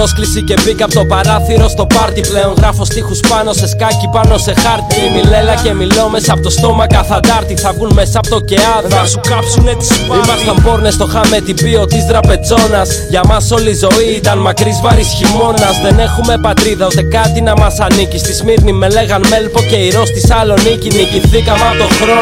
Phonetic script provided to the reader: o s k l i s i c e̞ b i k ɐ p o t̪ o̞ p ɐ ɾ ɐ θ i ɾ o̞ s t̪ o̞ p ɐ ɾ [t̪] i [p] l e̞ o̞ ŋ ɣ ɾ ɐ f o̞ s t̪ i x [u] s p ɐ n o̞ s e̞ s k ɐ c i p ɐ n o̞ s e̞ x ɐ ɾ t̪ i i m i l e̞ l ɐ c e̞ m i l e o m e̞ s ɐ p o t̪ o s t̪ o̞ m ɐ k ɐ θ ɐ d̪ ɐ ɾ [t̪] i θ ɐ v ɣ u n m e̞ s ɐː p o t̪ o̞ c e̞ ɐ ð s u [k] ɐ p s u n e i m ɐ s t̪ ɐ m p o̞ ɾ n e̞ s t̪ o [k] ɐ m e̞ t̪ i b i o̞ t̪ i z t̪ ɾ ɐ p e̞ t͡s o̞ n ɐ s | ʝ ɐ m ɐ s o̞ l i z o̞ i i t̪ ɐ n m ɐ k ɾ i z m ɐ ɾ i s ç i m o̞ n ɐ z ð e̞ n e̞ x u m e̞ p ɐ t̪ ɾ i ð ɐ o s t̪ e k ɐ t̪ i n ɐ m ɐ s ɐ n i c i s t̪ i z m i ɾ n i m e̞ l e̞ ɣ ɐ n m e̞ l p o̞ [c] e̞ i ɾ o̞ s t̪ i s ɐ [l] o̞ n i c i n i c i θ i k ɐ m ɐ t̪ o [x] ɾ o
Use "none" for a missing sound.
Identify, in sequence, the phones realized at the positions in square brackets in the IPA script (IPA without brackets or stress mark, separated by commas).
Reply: t̪, p, u, t̪, k, x, c, l, x